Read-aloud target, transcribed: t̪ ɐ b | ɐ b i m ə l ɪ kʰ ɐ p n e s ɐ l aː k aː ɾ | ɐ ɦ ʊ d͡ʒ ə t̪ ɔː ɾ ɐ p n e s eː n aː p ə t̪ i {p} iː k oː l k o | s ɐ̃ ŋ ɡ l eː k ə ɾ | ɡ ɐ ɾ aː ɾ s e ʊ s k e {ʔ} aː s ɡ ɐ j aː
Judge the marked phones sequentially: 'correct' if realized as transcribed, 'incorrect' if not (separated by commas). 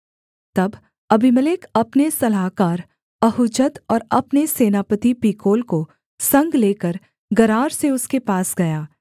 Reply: correct, incorrect